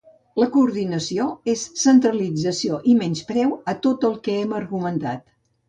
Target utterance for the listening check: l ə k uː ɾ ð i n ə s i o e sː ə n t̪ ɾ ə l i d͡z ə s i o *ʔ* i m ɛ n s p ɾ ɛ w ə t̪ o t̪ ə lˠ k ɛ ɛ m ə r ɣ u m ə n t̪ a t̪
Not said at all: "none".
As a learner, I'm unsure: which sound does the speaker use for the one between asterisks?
ʔ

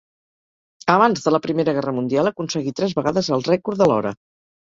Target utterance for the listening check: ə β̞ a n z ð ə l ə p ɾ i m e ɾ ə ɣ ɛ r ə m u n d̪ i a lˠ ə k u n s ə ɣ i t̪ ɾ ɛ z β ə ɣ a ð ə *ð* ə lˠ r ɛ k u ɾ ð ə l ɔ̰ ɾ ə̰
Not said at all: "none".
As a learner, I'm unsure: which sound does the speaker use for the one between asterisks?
z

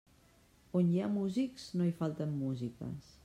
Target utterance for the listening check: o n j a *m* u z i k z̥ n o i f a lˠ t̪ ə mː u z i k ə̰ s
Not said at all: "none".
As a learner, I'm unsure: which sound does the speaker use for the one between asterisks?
m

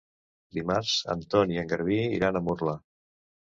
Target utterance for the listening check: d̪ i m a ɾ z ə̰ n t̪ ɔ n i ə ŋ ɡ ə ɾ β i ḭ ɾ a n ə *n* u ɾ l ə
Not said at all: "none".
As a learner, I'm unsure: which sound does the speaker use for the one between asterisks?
m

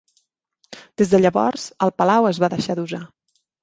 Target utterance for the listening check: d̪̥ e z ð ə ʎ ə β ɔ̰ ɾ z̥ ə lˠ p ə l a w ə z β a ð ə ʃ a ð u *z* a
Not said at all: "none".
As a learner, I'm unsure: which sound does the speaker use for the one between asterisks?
z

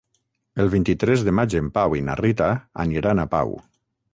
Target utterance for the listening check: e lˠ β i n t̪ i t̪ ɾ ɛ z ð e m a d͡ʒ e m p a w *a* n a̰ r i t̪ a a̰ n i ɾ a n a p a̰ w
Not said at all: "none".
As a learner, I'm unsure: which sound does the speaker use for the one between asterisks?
i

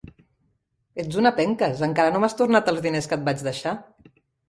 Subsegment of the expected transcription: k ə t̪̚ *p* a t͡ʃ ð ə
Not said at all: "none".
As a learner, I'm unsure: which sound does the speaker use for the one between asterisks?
b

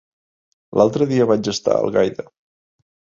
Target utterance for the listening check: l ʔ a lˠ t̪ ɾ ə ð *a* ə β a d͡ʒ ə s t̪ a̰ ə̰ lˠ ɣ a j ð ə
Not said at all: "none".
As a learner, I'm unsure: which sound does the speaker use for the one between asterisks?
i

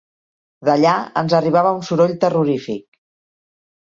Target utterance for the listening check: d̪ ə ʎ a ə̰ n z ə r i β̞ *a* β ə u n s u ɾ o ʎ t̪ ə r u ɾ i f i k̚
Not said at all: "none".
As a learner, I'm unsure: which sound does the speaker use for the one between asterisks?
a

